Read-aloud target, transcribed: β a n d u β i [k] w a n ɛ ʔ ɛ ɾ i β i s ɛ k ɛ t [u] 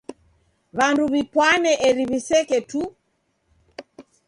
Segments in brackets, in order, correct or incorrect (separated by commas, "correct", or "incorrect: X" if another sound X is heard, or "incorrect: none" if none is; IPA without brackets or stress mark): incorrect: p, correct